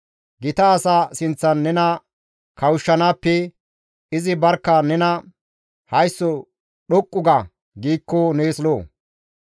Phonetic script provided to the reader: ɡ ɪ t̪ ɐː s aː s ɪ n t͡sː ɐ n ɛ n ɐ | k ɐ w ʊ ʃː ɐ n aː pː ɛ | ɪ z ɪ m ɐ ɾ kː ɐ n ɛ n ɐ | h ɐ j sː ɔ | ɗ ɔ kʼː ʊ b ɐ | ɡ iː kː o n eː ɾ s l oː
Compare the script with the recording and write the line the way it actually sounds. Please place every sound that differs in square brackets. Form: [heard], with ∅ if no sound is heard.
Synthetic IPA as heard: ɡ ɪ t̪ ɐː s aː s ɪ n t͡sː ɐ [nː] ɛ n ɐ | k ɐ w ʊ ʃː ɐ n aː pː ɛ | ɪ z ɪ [b] ɐ ɾ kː ɐ n ɛ n ɐ | h ɐ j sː ɔ | ɗ ɔ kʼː ʊ [ɡ] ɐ | ɡ iː kː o n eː [∅] s l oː